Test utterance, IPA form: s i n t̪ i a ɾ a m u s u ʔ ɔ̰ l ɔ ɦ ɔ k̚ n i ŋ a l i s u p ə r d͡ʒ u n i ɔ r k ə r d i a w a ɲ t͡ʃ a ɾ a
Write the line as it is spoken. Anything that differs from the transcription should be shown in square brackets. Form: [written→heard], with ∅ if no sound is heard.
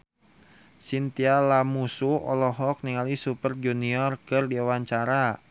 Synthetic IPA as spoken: s i n t̪ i a [ɾ→l] a m u s u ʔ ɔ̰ l ɔ ɦ ɔ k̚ n i ŋ a l i s u p ə r d͡ʒ u n i ɔ r k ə r d i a w a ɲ t͡ʃ a ɾ a